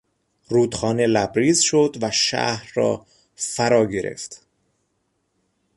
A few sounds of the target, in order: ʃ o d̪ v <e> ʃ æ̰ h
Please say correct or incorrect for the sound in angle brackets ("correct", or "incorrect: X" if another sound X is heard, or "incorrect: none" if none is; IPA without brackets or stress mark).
incorrect: æ